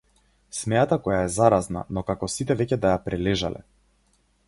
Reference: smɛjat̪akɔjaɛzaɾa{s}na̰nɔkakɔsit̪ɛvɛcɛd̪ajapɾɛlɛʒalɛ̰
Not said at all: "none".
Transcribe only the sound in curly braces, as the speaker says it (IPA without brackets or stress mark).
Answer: z